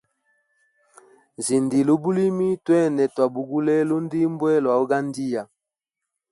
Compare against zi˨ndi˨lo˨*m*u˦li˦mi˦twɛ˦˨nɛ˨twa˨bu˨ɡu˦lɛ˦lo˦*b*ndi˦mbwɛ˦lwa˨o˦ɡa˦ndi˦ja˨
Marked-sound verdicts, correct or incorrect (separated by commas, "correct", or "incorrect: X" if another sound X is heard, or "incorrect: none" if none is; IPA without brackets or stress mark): incorrect: b, incorrect: none